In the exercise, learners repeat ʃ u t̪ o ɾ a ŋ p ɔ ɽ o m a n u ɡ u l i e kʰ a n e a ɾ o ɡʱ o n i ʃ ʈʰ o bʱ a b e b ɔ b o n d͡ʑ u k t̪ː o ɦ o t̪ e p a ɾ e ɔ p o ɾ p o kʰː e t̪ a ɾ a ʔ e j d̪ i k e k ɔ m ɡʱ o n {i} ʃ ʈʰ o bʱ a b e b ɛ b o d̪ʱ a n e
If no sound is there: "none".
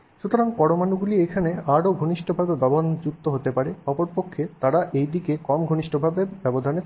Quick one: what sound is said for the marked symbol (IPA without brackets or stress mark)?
i